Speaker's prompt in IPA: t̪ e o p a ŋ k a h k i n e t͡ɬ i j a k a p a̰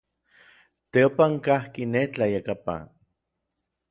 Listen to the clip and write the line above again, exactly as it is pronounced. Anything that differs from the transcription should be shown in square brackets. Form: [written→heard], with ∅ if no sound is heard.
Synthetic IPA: t̪ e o p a ŋ k a h k i n e t͡ɬ [i→a] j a k a p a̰